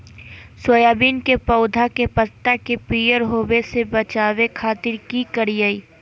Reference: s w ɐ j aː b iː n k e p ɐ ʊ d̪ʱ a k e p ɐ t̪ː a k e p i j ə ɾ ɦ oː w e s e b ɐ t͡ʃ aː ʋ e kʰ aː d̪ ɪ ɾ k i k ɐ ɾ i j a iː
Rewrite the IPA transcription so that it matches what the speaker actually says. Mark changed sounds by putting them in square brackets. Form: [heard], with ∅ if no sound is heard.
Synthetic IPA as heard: s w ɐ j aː b iː n k e p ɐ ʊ d̪ʱ a k e p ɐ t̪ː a k e p i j ə ɾ ɦ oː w e s e b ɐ t͡ʃ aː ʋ e kʰ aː [t̪] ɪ ɾ k i k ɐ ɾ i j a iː

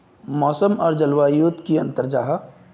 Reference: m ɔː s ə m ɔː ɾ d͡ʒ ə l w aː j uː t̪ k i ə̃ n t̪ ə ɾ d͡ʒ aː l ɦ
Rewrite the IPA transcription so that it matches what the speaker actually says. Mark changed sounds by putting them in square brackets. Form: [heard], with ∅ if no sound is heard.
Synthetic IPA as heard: m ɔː s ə m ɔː ɾ d͡ʒ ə l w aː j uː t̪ k i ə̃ n t̪ ə ɾ d͡ʒ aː [∅] ɦ

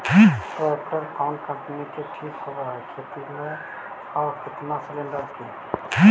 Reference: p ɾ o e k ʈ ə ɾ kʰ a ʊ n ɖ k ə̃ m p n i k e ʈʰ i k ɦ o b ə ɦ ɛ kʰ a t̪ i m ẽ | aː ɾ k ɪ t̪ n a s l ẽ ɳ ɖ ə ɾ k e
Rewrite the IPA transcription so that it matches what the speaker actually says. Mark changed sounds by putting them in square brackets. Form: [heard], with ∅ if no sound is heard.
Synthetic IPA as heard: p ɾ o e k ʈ ə ɾ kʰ a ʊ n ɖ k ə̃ m p n i k e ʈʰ i k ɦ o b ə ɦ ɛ kʰ [e] t̪ i m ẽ | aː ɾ k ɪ t̪ n a s l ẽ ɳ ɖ ə ɾ k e

